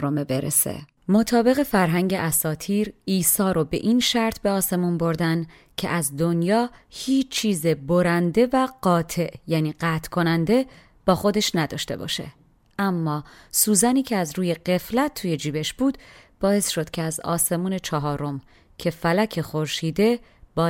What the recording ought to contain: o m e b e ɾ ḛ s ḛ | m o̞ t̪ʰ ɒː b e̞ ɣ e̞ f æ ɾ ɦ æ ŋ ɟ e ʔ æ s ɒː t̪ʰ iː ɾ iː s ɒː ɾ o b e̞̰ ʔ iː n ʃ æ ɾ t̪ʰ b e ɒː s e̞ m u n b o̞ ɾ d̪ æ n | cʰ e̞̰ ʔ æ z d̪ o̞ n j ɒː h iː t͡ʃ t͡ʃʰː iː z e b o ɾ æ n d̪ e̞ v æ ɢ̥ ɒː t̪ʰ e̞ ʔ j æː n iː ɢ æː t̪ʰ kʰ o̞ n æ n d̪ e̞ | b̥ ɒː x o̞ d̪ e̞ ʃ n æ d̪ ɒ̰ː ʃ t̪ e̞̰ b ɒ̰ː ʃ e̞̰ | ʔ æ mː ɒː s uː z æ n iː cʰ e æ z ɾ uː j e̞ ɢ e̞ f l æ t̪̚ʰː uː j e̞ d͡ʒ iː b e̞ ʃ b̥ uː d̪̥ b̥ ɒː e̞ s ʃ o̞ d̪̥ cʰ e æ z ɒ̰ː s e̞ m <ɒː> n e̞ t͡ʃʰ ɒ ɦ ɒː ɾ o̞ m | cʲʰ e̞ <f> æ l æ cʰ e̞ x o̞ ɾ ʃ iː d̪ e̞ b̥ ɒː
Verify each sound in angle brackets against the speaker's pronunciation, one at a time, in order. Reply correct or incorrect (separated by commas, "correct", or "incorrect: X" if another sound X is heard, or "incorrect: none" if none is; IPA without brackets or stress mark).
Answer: incorrect: uː, correct